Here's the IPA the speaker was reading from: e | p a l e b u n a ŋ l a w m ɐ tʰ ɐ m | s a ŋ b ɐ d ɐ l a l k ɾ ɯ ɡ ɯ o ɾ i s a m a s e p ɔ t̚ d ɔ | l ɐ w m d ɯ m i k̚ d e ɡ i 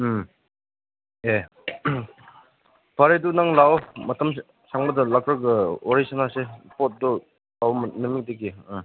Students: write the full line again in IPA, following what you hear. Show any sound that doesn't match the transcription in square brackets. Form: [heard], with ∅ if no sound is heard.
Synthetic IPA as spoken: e | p a [ɾ] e [d] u n a ŋ l a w m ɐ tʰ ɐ m | s a ŋ b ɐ d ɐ l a [∅] k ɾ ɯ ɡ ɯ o ɾ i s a [n] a s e p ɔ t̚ d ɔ | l [a] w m [n] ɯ m i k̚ d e ɡ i